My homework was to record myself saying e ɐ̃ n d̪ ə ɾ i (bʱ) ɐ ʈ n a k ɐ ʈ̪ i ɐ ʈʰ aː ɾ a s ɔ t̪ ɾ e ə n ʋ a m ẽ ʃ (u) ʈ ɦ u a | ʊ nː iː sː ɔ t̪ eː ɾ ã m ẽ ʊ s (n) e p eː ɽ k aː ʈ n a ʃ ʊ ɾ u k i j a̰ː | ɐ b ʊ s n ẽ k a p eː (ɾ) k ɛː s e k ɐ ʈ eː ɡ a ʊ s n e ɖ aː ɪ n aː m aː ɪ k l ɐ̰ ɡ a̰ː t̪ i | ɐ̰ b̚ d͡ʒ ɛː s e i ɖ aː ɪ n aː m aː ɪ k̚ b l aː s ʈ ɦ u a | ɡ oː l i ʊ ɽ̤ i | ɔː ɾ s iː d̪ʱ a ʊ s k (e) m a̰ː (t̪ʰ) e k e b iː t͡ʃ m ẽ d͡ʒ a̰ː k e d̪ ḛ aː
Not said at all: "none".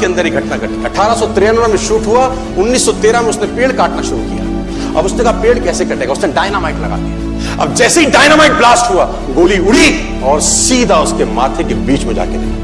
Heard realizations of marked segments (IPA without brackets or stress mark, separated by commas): ɡʱ, uː, n, ɽ, e, t̪ʰ